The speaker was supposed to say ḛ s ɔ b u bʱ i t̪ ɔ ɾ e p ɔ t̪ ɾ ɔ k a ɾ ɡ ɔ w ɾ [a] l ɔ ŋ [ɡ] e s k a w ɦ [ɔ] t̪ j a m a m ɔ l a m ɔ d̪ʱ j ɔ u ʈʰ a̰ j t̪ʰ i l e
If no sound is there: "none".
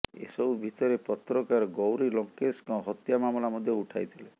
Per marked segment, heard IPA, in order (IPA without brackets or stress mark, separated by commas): i, k, ɔ